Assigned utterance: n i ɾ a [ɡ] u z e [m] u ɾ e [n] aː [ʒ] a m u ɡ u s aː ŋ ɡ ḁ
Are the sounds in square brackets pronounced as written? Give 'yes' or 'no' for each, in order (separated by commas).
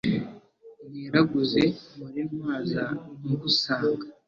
yes, yes, no, no